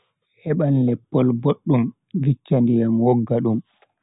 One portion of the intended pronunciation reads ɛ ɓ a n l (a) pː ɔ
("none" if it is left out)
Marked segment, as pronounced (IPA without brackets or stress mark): ɛ